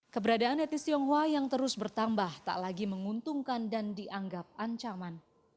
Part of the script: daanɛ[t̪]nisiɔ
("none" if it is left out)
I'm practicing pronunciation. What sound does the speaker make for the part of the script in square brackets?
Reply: t̪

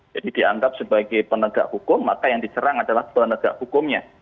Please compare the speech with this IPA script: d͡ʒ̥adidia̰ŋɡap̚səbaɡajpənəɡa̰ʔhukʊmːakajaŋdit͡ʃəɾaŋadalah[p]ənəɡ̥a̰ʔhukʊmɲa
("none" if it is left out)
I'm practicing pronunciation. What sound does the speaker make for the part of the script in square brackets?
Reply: p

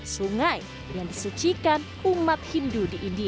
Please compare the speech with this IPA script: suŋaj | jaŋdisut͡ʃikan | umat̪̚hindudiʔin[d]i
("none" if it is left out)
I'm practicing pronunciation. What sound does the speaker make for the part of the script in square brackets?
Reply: d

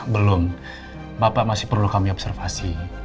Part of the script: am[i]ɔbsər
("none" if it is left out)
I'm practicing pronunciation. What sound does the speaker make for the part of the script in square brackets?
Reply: i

